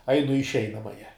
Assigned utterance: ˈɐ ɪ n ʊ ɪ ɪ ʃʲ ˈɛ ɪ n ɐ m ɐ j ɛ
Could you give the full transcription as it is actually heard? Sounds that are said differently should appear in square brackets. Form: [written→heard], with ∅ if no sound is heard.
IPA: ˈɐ ɪ n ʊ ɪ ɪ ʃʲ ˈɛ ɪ n ɐ m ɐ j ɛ